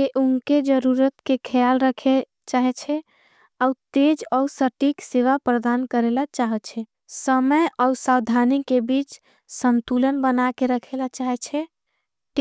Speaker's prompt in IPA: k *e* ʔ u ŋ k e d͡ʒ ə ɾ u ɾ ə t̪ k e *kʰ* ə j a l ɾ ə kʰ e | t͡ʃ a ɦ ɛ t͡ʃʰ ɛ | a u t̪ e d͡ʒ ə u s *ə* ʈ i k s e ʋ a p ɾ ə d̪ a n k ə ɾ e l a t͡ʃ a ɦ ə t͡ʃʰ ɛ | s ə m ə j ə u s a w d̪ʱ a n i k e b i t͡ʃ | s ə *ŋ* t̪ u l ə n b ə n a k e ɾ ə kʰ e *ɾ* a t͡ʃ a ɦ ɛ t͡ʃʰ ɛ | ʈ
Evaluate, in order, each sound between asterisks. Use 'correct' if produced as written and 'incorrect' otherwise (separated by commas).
correct, correct, correct, incorrect, incorrect